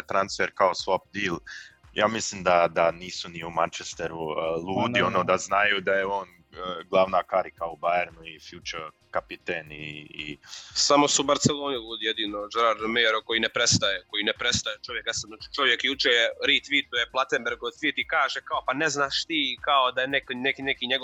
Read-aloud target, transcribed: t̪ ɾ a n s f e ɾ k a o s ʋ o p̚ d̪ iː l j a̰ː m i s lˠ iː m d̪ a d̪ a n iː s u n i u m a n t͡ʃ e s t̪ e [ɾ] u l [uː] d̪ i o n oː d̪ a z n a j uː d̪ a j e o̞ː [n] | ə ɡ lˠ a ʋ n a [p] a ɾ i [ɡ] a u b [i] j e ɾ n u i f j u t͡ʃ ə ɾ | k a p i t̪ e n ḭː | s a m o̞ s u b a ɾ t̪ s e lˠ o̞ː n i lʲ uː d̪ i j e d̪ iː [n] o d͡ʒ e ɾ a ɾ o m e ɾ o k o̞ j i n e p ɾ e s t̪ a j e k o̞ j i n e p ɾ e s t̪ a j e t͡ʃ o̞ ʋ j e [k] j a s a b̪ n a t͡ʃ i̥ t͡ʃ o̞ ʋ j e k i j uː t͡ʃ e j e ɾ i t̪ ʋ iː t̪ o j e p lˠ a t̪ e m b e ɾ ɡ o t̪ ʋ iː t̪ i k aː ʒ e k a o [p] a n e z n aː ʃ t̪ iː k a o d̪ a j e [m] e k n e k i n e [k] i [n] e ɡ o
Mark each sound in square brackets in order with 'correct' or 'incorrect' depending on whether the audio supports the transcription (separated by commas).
correct, correct, correct, incorrect, incorrect, incorrect, correct, correct, correct, incorrect, correct, incorrect